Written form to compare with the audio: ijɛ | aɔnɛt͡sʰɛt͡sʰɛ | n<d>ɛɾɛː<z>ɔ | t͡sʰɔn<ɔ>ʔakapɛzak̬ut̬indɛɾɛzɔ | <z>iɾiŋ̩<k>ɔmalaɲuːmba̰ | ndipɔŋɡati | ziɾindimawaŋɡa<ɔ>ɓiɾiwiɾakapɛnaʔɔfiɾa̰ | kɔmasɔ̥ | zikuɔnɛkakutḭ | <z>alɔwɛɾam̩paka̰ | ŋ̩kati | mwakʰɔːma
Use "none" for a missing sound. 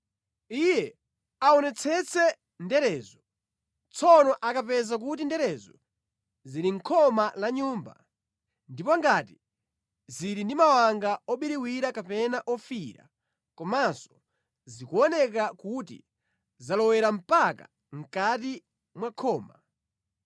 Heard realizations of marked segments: d, z, ɔ, z, kʰ, ɔ, z

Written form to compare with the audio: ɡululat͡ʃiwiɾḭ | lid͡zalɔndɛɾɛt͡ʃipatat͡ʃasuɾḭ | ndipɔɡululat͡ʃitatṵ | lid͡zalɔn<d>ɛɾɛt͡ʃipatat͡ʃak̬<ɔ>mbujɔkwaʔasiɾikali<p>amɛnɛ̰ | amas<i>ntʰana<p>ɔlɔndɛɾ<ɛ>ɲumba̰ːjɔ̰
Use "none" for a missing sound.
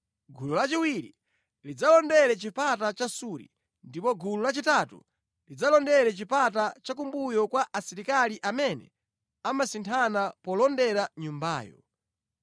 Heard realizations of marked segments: d, u, ʔ, i, p, a

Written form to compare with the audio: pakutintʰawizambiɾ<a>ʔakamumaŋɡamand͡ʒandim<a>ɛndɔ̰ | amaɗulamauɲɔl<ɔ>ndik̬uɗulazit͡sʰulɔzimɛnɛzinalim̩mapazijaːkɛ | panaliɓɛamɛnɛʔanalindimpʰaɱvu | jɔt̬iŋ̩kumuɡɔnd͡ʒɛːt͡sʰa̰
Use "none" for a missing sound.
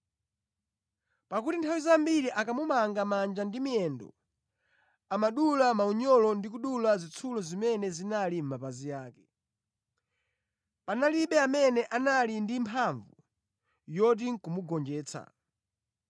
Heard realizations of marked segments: i, i, ɔ

